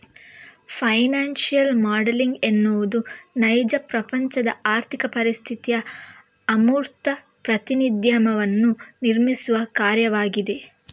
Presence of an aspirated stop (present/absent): present